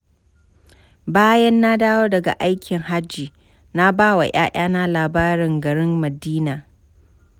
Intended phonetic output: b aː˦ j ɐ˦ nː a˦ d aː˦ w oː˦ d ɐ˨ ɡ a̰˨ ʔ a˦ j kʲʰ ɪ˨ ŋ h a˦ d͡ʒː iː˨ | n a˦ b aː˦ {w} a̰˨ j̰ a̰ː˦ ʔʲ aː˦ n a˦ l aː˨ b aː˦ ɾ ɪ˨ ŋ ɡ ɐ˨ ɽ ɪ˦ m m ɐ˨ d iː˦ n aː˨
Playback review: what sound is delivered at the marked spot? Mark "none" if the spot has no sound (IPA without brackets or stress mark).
w